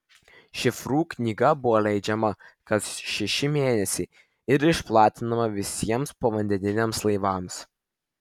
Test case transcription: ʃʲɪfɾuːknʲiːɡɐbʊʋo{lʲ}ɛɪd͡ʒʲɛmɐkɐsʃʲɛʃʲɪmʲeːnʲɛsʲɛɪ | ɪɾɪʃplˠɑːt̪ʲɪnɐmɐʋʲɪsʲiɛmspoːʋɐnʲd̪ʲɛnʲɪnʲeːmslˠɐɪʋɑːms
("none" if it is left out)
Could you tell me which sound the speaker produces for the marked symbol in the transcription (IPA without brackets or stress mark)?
lʲ